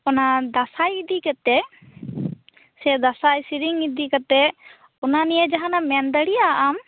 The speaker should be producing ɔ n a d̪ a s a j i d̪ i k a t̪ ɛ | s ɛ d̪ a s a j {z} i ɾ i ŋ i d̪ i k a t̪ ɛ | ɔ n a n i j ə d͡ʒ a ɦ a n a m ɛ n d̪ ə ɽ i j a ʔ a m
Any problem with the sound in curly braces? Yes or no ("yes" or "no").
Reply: yes